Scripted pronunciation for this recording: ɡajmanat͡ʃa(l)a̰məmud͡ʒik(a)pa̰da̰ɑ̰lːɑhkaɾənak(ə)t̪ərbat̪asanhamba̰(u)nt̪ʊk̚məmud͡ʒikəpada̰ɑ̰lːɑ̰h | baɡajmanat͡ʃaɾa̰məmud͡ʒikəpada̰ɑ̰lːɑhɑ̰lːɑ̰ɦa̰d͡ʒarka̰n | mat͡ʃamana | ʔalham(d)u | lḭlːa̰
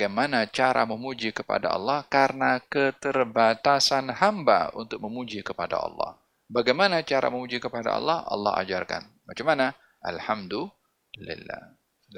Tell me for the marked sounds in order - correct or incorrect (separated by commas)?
incorrect, incorrect, correct, correct, correct